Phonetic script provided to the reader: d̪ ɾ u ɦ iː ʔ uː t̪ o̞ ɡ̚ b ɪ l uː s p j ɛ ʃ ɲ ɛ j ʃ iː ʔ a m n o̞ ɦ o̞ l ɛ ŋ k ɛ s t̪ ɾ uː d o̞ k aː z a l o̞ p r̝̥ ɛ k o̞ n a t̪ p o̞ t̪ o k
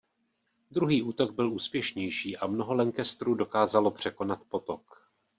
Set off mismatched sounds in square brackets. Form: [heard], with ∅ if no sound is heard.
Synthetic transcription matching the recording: d̪ ɾ u ɦ iː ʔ uː t̪ o̞ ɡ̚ b ɪ l uː s p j ɛ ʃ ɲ ɛ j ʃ iː ʔ a m n o̞ ɦ o̞ l ɛ ŋ k ɛ s t̪ ɾ uː d o̞ k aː z a l o̞ p r̝̥ ɛ k o̞ n a t̪ p o̞ t̪ o k